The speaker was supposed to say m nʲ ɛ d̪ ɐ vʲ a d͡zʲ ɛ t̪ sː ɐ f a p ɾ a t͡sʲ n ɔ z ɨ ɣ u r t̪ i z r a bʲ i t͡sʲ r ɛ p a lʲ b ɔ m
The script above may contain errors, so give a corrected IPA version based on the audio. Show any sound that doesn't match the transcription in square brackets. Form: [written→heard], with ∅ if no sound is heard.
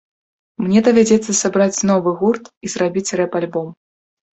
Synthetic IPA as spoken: m nʲ ɛ d̪ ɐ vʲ a d͡zʲ ɛ t̪ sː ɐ [f→s] a [p→b] ɾ a t͡sʲ n ɔ [z→v] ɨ ɣ u r t̪ i z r a bʲ i t͡sʲ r ɛ p a lʲ b ɔ m